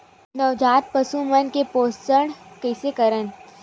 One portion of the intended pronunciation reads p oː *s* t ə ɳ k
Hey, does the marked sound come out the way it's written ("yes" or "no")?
yes